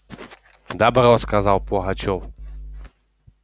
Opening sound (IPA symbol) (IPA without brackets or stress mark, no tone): d̪